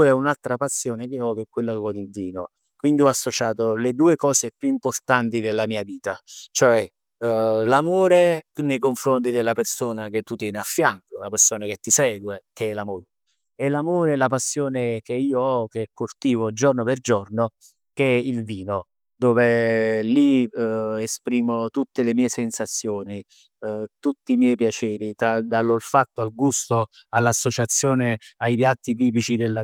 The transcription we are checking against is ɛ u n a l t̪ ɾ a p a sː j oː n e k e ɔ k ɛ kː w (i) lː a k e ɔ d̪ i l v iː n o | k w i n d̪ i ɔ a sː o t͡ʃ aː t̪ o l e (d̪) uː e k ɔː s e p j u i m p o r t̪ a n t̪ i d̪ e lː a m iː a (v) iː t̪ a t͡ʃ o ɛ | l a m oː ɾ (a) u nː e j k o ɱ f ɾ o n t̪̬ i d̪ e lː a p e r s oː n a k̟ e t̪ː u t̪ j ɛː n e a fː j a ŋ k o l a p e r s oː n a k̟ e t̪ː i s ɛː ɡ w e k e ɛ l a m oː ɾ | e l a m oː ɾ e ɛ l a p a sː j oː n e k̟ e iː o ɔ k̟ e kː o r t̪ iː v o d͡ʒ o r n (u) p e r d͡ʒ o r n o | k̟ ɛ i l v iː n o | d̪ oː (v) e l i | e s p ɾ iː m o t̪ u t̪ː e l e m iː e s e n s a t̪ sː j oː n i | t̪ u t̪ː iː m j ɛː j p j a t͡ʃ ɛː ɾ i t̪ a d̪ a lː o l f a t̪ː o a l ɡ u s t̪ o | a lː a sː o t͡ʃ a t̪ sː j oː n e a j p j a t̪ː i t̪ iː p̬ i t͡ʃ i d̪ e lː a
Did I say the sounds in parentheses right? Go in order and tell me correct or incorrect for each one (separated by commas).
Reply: incorrect, correct, correct, incorrect, incorrect, correct